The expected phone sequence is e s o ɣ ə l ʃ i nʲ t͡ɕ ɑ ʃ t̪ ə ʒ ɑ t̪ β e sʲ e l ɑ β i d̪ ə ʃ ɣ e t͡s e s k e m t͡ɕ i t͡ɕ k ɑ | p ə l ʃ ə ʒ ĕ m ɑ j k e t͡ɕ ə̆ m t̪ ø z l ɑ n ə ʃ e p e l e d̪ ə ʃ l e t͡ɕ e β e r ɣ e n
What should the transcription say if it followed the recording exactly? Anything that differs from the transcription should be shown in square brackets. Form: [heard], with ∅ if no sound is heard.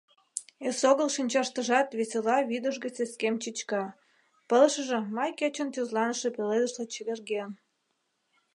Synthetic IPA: e s o ɣ ə l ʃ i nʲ t͡ɕ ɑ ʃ t̪ ə ʒ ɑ t̪ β e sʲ e l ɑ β i d̪ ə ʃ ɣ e t͡s e s k e m t͡ɕ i t͡ɕ k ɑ | p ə l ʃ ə ʒ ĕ m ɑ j k e t͡ɕ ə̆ [n] t̪ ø z l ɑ n ə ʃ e p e l e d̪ ə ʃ l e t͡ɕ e β e r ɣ e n